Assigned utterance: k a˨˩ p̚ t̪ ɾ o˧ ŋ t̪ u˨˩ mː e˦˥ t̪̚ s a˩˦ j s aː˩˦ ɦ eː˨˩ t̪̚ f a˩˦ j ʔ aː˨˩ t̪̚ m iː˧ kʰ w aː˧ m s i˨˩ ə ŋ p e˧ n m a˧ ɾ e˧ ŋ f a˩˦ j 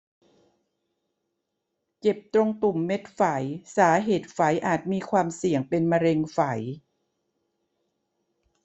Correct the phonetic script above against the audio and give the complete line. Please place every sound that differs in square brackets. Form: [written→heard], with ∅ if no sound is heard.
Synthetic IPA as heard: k [a˨˩→e˨˩] p̚ t̪ ɾ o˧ ŋ t̪ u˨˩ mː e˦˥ t̪̚ [s→f] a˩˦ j s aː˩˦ ɦ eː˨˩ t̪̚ f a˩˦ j ʔ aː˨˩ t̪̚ m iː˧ kʰ w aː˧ m s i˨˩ ə ŋ p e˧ n m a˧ ɾ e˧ ŋ f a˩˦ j